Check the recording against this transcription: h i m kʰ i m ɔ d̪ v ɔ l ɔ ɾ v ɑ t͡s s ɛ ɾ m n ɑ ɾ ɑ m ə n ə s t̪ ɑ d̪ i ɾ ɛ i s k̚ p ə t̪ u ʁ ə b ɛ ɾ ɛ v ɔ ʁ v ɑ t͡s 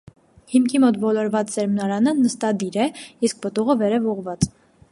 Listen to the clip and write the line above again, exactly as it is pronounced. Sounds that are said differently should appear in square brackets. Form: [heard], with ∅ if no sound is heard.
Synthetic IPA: h i m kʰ i m ɔ [t̪] v ɔ l ɔ ɾ v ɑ t͡s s ɛ ɾ m n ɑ ɾ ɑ [n] ə n ə s t̪ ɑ d̪ i ɾ ɛ i s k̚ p ə t̪ u ʁ ə [v] ɛ ɾ ɛ v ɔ ʁ v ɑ t͡s